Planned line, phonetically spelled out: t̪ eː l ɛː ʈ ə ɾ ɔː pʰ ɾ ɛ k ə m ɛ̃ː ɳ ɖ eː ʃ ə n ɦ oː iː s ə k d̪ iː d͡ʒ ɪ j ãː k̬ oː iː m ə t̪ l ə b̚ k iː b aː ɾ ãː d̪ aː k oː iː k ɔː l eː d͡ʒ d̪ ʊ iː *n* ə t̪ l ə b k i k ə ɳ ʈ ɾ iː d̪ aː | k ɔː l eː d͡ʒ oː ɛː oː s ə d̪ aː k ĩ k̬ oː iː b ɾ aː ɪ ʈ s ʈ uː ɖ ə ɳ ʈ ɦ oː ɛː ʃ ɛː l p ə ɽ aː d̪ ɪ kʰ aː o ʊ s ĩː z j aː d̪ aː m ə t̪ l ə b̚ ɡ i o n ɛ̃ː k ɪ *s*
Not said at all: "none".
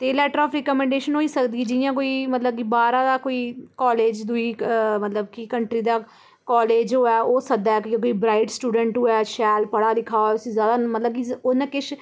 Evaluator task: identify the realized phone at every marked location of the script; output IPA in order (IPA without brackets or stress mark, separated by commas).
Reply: m, ʃ